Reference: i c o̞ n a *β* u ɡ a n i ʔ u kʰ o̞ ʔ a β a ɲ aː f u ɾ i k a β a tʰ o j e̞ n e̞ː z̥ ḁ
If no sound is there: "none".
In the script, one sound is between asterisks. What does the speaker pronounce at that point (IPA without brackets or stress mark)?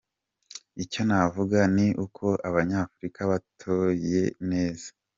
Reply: v